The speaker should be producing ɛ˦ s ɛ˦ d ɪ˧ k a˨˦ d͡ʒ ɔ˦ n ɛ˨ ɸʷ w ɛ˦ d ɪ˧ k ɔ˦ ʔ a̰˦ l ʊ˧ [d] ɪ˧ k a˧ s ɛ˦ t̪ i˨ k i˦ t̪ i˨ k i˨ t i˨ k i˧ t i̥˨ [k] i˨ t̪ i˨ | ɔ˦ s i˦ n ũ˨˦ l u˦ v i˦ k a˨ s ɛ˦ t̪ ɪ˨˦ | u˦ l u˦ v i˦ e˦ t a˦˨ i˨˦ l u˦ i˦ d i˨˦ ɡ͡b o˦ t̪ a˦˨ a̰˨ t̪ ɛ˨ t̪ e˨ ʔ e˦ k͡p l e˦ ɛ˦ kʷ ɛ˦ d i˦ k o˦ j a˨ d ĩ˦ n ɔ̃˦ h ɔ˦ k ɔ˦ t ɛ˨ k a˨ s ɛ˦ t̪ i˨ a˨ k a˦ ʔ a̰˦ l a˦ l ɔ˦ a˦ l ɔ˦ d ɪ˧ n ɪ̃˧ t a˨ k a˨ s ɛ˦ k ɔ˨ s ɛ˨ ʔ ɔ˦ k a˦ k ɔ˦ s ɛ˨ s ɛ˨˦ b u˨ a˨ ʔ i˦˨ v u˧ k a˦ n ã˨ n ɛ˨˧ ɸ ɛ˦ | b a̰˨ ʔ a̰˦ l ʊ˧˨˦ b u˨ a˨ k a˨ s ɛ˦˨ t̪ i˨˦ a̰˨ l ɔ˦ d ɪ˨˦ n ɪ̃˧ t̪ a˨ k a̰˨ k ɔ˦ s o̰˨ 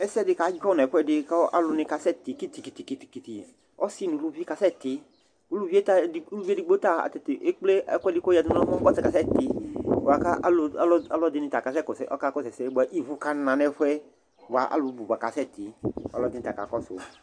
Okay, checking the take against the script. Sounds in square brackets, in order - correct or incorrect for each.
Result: incorrect: n, correct

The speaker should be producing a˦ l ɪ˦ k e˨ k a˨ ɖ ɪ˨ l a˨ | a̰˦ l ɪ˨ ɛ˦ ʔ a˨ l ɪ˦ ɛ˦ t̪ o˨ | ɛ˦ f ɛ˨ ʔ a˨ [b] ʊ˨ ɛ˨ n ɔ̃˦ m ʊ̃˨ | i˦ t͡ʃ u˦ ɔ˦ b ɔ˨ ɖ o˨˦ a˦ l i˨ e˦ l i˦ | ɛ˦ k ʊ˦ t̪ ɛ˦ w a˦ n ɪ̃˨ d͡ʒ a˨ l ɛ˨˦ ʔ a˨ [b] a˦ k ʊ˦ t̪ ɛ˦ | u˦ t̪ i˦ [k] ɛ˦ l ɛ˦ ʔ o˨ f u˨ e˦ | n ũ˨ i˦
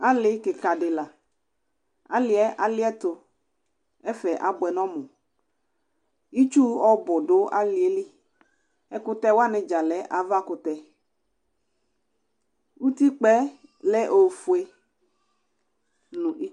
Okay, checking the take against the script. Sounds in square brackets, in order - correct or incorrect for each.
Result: correct, incorrect: v, incorrect: k͡p

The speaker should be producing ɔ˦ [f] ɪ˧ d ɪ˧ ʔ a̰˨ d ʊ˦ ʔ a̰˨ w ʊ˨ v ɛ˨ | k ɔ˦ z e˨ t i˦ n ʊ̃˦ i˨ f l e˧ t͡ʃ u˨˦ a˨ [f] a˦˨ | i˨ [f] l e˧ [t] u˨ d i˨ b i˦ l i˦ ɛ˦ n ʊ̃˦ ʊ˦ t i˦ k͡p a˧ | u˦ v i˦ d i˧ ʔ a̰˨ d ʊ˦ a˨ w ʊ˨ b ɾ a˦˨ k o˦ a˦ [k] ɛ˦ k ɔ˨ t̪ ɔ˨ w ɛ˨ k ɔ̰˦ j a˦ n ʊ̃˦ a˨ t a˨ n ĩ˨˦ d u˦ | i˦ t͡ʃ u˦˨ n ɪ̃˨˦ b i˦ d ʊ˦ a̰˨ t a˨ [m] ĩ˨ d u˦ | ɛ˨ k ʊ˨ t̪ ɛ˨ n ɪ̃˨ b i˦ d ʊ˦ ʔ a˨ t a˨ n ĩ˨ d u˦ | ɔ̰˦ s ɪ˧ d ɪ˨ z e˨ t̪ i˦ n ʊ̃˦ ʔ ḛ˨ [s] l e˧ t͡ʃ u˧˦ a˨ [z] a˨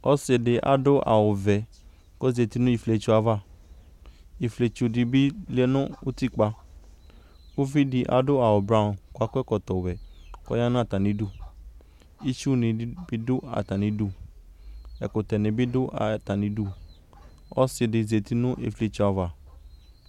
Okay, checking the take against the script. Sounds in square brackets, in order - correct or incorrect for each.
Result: incorrect: s, incorrect: v, correct, incorrect: t͡ʃ, correct, incorrect: n, incorrect: f, incorrect: v

